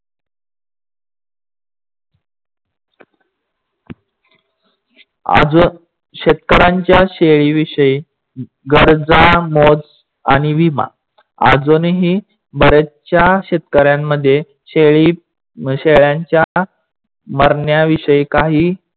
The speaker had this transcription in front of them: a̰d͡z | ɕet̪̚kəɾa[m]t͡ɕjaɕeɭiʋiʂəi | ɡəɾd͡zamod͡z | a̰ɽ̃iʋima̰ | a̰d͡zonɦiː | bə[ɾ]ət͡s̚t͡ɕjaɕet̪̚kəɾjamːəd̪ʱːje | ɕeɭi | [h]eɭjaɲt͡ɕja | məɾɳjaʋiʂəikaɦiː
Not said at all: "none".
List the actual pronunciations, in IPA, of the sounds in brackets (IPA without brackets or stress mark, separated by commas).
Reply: ɲ, ɾ, ɕ